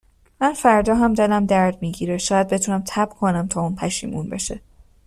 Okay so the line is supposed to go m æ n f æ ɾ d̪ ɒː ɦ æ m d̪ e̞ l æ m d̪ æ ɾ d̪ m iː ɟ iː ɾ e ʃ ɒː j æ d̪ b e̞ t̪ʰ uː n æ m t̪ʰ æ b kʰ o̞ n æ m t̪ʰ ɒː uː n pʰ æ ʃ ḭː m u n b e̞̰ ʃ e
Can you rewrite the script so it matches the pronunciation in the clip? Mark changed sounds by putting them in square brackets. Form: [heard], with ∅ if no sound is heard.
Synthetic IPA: m æ n f æ ɾ d̪ ɒː ɦ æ m d̪ e̞ l æ m d̪ æ ɾ d̪ m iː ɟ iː ɾ e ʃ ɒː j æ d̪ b e̞ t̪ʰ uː n æ m t̪ʰ æ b kʰ o̞ n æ m t̪ʰ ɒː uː n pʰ æ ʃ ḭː m u n b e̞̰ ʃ e